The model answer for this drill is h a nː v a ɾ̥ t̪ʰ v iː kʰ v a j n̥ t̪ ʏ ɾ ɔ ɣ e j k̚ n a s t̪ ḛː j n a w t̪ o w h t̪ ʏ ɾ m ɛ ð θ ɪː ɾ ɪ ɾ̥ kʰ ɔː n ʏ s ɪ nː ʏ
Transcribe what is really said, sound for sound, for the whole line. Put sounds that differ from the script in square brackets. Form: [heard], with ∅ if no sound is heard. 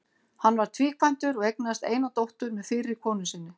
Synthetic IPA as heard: h a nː v a ɾ̥ t̪ʰ v iː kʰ v a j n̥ t̪ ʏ ɾ ɔ ɣ e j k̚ n a s t̪ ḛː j n a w t̪ o w h t̪ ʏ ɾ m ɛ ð [f] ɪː ɾ ɪ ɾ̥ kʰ ɔː n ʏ s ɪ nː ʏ